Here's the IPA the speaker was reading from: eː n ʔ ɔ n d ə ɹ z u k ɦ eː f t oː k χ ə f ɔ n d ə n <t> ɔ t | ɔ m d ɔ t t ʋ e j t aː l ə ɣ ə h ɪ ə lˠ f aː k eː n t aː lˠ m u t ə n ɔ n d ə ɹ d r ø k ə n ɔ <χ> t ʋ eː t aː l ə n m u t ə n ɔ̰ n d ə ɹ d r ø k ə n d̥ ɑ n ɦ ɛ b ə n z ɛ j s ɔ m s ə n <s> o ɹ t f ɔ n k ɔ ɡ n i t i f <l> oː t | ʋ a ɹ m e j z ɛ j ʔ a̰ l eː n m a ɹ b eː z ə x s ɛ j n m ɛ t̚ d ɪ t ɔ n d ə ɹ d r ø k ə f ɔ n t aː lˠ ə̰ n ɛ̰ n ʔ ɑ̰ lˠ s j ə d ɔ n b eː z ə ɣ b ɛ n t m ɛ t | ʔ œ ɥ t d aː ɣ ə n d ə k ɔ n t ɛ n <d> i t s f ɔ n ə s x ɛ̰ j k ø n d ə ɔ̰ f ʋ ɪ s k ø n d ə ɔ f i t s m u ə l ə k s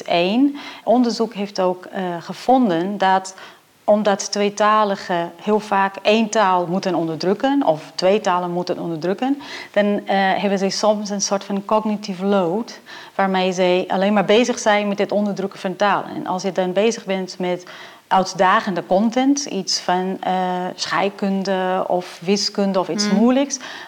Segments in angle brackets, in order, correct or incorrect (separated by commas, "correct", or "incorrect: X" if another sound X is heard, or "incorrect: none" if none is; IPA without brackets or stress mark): incorrect: d, incorrect: f, correct, correct, incorrect: t